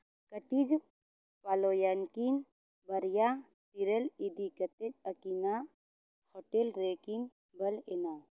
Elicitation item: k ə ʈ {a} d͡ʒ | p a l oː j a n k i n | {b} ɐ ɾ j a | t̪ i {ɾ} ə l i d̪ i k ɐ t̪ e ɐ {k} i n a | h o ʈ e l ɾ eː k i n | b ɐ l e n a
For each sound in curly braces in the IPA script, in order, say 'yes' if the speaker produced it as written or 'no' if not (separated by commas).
no, yes, yes, yes